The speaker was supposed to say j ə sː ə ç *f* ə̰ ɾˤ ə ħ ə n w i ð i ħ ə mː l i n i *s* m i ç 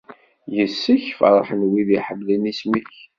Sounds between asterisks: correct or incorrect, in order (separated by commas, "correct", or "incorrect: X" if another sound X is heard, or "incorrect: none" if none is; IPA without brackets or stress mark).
correct, correct